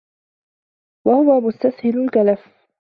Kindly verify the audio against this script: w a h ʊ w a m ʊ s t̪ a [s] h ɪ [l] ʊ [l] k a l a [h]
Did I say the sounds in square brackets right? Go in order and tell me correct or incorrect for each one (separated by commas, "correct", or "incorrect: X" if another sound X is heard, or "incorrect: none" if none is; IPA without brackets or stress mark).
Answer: correct, correct, correct, incorrect: f